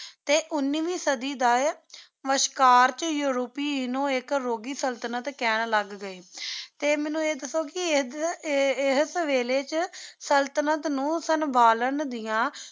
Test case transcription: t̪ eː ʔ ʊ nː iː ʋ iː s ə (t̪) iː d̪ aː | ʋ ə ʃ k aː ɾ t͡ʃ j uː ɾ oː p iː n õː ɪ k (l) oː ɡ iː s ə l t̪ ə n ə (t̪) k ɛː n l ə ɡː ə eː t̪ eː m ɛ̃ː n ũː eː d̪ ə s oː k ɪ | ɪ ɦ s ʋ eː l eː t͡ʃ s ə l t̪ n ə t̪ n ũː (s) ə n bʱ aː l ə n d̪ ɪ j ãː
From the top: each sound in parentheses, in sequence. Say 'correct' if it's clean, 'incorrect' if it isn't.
incorrect, incorrect, correct, correct

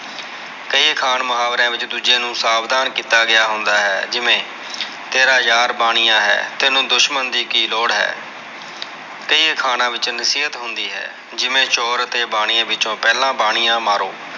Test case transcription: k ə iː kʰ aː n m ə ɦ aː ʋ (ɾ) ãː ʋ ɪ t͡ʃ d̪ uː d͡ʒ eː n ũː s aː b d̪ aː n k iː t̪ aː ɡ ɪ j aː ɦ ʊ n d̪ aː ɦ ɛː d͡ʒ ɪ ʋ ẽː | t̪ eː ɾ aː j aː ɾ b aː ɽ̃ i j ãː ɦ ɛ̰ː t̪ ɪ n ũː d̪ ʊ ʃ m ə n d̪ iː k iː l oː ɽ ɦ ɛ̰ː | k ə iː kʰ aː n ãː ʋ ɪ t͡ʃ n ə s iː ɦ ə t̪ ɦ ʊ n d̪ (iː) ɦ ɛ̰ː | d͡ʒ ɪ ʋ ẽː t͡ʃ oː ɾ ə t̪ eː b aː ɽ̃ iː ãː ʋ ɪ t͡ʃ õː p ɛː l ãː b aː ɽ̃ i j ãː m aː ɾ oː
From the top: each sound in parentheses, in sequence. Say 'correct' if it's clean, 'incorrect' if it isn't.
correct, correct

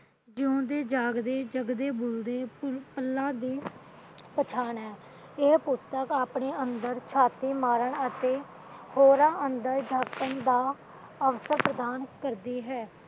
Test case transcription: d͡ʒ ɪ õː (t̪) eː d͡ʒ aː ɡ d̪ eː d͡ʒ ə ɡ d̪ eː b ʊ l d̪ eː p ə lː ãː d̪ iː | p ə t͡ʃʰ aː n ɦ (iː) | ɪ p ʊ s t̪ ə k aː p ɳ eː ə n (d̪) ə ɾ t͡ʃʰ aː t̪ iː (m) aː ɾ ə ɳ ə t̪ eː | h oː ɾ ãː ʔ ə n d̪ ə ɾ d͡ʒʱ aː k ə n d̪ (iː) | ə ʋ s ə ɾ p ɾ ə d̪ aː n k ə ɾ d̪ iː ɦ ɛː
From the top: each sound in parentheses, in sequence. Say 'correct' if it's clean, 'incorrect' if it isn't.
incorrect, incorrect, correct, correct, incorrect

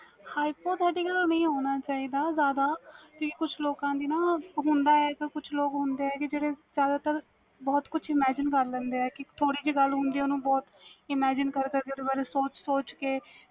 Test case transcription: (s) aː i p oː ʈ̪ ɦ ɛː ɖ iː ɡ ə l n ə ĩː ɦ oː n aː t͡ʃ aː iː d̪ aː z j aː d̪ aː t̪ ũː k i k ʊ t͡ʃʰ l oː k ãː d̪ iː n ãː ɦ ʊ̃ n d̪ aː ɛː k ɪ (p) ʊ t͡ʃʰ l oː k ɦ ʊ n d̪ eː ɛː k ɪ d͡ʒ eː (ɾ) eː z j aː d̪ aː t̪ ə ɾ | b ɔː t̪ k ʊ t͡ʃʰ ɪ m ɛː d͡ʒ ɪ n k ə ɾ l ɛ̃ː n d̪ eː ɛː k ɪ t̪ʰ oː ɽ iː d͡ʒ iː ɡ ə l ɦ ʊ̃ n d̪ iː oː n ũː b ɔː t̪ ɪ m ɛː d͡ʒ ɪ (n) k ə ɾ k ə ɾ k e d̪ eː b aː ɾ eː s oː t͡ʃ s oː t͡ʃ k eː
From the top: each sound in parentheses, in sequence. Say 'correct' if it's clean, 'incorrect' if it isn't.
incorrect, incorrect, incorrect, correct

